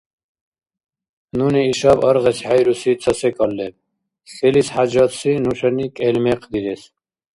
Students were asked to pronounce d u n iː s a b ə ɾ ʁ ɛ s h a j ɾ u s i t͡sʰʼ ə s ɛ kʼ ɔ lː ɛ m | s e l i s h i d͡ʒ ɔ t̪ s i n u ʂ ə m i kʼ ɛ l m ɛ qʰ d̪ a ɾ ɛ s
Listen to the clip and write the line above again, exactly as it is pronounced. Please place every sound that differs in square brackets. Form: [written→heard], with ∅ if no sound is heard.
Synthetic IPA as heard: [d→n] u n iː [s→ʃ] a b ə ɾ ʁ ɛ s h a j ɾ u s i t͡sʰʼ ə s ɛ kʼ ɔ lː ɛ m | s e l i s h [i→a] d͡ʒ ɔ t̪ s i n u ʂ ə [m→n] i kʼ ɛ l m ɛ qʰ d̪ [a→i] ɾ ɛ s